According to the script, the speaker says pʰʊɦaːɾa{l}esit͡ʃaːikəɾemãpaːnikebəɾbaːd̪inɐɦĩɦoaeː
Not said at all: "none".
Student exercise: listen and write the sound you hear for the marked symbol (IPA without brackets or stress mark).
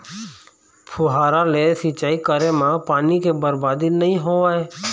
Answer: l